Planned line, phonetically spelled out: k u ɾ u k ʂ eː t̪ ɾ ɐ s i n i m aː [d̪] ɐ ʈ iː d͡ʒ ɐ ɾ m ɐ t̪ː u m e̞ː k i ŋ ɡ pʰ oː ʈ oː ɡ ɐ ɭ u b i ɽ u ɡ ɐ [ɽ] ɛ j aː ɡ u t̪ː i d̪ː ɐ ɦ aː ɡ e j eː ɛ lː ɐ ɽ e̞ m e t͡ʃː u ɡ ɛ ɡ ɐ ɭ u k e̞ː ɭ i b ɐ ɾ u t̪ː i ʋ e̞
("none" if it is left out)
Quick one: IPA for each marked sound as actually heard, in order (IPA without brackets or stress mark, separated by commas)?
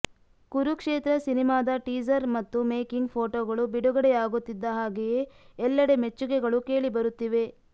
d̪, ɽ